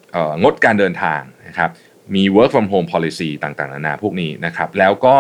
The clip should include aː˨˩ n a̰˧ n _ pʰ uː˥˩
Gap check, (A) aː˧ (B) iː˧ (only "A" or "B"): A